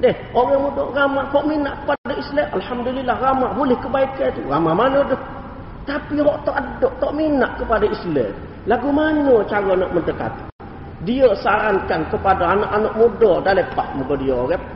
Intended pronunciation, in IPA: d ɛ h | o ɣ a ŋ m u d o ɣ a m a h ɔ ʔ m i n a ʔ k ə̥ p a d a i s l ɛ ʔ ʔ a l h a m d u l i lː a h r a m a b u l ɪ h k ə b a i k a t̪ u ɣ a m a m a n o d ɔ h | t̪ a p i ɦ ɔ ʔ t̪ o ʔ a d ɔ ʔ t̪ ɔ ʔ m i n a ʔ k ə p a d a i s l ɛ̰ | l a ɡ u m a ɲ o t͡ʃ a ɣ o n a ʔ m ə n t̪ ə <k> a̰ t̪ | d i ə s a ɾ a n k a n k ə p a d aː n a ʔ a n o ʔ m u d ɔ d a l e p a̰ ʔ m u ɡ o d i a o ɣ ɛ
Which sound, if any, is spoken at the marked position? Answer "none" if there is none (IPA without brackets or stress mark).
k